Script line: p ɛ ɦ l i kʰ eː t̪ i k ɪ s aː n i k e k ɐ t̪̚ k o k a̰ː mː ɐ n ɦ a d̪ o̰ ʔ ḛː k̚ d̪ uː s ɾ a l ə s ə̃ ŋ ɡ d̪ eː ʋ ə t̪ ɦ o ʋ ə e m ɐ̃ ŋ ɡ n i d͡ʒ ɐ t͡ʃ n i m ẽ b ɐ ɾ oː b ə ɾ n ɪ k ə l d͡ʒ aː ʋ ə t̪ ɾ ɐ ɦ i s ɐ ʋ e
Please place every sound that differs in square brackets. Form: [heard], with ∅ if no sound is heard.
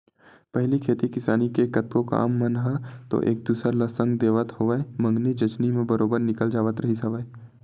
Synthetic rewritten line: p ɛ ɦ l i kʰ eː t̪ i k ɪ s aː n i k e k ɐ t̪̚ k o k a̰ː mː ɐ n ɦ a [t̪] o̰ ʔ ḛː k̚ d̪ uː s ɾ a l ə s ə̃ ŋ ɡ d̪ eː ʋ ə t̪ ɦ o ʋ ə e m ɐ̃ ŋ ɡ n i d͡ʒ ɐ t͡ʃ n i m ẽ b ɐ ɾ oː b ə ɾ n ɪ k ə l d͡ʒ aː ʋ ə t̪ ɾ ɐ ɦ i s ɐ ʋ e